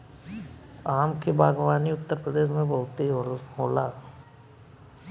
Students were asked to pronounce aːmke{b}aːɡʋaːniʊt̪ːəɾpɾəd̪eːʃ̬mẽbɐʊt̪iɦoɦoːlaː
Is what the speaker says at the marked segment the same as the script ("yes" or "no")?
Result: yes